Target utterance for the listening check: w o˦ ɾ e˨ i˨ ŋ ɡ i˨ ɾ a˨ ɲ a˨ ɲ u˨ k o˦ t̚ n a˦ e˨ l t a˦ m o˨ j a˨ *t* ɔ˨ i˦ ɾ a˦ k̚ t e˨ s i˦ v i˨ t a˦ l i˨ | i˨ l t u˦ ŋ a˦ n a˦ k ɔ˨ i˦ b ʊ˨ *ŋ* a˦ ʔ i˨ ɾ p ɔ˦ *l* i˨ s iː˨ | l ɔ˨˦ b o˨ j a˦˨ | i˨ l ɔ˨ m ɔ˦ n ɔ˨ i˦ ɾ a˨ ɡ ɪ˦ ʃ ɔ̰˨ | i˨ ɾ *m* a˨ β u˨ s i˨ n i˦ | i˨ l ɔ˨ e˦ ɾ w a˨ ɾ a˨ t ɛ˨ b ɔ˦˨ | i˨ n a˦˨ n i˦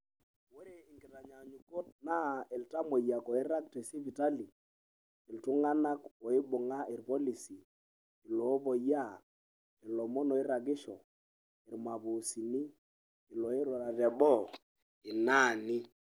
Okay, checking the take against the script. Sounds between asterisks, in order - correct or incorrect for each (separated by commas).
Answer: incorrect, correct, correct, correct